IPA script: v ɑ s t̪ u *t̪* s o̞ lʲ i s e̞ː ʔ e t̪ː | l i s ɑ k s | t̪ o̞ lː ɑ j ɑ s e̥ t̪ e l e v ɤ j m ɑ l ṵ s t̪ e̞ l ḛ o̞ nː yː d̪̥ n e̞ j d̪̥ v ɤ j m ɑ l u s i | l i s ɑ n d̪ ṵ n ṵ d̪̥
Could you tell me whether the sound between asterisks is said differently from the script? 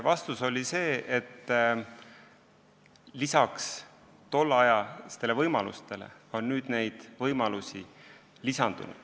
yes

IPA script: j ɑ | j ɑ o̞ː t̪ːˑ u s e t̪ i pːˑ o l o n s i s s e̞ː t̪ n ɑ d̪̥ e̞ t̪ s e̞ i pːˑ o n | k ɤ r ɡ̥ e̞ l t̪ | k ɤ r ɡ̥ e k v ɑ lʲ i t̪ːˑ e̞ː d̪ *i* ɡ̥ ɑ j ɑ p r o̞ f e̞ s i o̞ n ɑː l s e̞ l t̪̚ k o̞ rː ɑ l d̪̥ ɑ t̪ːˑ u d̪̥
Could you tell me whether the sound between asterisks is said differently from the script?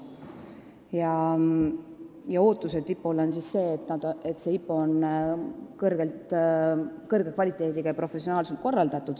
no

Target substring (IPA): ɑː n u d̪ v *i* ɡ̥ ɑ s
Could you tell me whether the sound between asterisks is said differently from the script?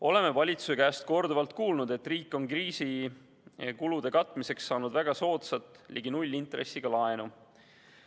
yes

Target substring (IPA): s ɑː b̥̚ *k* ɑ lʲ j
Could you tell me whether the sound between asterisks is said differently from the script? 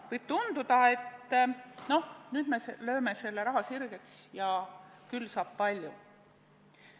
yes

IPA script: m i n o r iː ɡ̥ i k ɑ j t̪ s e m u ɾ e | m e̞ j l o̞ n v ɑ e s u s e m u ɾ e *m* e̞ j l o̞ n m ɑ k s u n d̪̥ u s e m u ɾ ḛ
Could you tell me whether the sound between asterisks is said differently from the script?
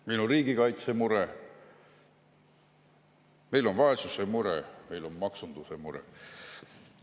no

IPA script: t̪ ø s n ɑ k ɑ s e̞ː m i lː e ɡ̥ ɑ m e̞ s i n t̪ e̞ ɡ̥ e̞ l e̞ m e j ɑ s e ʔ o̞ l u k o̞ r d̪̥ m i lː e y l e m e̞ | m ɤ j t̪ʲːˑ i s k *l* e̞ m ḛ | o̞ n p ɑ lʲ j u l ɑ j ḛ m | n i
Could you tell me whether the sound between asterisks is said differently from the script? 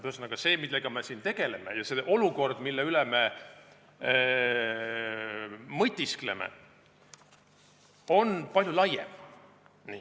no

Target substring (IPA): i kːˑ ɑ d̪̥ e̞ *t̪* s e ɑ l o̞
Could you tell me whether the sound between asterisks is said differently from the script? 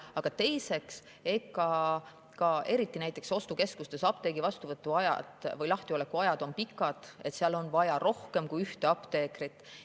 no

